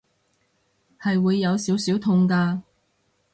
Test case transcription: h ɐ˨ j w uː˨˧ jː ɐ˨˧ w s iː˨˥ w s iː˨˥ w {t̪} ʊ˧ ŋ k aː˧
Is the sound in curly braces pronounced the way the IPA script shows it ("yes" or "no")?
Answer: no